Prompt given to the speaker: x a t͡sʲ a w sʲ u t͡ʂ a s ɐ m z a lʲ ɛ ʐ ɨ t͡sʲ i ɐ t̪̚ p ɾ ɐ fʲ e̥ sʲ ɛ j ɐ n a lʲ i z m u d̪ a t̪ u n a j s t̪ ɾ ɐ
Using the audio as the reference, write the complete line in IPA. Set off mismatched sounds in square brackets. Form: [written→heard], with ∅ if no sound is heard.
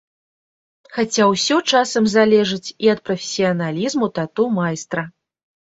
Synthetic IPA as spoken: x a t͡sʲ a w sʲ [u→ɔ] t͡ʂ a s ɐ m z a lʲ ɛ ʐ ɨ t͡sʲ i ɐ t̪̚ p ɾ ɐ fʲ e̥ sʲ [ɛ→i] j ɐ n a lʲ i z m u [d̪→t̪] a t̪ u [n→m] a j s t̪ ɾ ɐ